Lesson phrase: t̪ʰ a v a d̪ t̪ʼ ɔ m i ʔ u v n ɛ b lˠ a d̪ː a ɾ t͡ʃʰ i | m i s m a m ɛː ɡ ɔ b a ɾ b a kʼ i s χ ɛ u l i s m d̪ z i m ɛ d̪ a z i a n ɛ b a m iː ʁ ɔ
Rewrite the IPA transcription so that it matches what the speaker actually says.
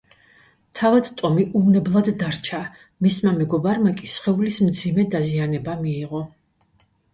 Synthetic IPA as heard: t̪ʰ a v a d̪ t̪ʼ ɔ m i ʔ u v n ɛ b lˠ a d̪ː a ɾ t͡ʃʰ a | m i s m a m ɛ ɡ ɔ b a ɾ m a kʼ i s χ ɛ u l i s m d̪ z i m ɛ d̪ a z i a n ɛ b a m iː ʁ ɔ